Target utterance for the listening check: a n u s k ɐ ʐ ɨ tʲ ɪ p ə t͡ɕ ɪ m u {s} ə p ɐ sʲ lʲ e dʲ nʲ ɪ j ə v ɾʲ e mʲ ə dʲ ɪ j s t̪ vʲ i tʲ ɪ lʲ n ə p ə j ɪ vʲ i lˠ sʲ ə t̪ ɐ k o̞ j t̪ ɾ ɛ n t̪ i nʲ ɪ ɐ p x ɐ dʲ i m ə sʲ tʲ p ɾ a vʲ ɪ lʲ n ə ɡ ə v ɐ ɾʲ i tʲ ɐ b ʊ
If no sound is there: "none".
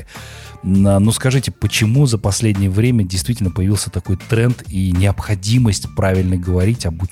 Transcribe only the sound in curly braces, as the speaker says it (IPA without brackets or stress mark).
z